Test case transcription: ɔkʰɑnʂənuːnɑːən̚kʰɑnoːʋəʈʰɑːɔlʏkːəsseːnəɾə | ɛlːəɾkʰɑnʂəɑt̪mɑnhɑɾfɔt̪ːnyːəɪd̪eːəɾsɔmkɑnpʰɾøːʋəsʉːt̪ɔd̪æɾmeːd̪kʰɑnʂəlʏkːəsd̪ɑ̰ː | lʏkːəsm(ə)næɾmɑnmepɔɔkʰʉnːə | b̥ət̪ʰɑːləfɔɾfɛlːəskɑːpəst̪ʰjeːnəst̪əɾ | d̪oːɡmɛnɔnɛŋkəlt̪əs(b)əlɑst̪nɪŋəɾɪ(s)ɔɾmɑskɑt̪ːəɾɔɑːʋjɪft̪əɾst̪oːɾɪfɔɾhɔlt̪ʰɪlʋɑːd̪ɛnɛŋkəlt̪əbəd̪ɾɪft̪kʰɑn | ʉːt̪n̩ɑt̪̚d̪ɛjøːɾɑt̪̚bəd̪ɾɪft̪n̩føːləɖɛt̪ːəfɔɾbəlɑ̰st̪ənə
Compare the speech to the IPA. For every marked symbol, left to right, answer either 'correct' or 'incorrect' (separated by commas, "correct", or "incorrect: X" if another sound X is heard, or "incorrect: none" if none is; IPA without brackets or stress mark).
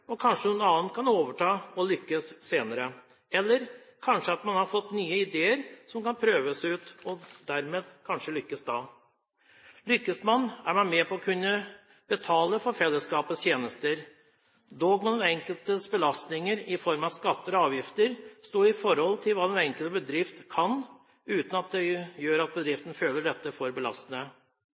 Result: incorrect: ɑ, correct, incorrect: f